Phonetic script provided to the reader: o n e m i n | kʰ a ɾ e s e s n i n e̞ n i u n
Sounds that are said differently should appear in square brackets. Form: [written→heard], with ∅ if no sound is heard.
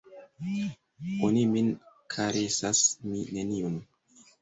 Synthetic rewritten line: o n [e→i] m i n | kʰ a ɾ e s [e→a] s [n→m] i n e̞ n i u n